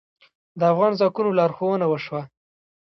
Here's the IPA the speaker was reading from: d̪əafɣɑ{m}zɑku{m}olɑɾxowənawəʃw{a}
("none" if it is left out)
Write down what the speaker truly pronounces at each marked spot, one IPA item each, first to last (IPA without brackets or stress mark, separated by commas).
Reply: n, n, a